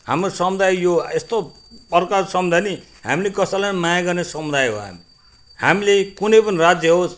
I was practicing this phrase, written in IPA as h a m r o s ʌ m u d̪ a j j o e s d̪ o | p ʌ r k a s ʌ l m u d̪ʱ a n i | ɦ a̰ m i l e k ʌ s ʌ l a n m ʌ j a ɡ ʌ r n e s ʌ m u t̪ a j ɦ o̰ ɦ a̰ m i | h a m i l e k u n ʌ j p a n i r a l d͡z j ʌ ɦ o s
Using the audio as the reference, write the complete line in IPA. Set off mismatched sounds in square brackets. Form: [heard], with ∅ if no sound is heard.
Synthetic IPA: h a m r o s ʌ m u d̪ a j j o e s [t̪] o | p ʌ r k a s ʌ [∅] m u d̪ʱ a n i | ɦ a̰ m i l e k ʌ s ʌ l a n m [a] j a ɡ ʌ r n e s ʌ m u [d̪] a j ɦ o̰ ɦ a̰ m i | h a m i l e k u n ʌ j p [ʌ] n i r a [∅] d͡z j ʌ ɦ o s